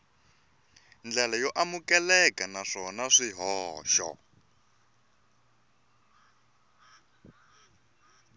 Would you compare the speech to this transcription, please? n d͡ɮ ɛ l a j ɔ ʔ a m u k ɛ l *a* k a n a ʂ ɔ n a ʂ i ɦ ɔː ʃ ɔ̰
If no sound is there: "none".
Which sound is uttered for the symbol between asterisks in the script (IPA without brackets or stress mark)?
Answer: ɛ